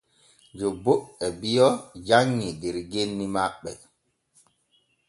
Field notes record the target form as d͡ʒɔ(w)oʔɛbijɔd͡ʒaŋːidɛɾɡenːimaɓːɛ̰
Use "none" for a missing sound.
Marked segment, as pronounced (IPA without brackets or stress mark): b